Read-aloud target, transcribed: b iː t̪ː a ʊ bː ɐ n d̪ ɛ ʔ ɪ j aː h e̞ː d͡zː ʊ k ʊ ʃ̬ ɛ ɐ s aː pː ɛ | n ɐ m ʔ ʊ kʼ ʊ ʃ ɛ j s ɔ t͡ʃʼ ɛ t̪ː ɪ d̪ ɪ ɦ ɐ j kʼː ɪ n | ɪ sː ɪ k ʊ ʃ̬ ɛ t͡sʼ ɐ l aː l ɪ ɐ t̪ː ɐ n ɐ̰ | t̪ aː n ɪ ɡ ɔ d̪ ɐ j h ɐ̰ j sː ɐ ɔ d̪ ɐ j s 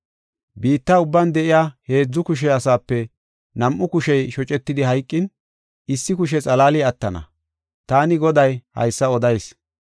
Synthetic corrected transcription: b iː t̪ː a ʊ bː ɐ n d̪ ɛ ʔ ɪ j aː h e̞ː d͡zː ʊ k ʊ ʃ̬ ɛ ɐ s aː pː ɛ | n ɐ m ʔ ʊ k ʊ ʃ ɛ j ʃ ɔ t͡ʃʼ ɛ t̪ː ɪ d̪ ɪ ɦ ɐ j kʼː ɪ n | ɪ sː ɪ k ʊ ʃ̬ ɛ t͡sʼ ɐ l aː l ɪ ɐ t̪ː ɐ n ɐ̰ | t̪ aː n ɪ ɡ ɔ d̪ ɐ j h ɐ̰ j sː ɐ ɔ d̪ ɐ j s